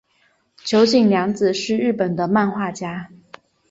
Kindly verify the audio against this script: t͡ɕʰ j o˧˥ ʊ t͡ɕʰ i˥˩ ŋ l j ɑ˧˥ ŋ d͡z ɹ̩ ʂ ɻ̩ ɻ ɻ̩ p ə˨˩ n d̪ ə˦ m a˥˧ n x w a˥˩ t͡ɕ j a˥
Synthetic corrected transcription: t͡ɕʰ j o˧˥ ʊ t͡ɕ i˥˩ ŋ l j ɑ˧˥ ŋ d͡z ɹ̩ ʂ ɻ̩ ɻ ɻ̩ p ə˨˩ n d̪ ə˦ m a˥˧ n x w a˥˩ t͡ɕ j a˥